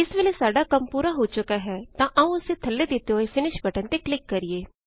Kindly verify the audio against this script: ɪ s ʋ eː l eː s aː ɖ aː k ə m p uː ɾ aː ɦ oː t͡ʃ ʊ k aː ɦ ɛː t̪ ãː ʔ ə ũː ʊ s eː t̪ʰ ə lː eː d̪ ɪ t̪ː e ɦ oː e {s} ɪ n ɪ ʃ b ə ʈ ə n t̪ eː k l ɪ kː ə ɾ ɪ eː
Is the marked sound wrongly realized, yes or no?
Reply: yes